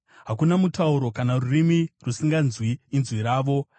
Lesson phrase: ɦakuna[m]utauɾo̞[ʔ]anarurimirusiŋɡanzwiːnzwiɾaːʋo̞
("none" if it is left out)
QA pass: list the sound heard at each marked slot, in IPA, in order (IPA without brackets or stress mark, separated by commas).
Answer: m, k